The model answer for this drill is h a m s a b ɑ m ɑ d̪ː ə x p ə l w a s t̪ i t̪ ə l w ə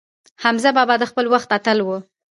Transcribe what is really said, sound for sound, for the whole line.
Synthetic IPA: h a m z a b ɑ b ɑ d̪ ə x p ə l w a x t̪ a t̪ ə l w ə